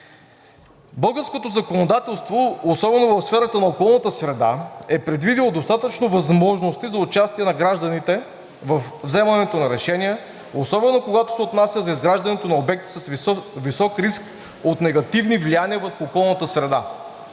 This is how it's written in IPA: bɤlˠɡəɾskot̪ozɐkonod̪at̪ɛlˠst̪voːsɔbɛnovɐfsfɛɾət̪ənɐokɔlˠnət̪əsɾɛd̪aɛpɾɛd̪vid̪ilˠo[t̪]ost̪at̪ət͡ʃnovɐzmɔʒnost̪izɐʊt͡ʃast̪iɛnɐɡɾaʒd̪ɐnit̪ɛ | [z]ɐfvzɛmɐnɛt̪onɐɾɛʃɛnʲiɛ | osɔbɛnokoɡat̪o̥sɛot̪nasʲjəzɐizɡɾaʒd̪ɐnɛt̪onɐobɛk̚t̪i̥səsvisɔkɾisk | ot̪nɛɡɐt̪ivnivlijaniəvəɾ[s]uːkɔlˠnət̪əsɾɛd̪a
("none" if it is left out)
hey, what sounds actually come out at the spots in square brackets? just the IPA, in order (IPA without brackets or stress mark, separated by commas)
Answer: d̪, v, x